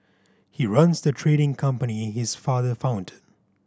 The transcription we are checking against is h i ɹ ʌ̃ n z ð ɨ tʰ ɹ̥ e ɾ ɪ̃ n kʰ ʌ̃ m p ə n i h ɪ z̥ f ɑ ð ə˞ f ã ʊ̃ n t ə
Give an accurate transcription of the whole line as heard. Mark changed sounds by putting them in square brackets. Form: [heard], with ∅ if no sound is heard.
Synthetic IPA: h i ɹ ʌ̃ n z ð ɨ tʰ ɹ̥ e ɾ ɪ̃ [ŋ] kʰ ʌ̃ m p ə n i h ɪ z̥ f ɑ ð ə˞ f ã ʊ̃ n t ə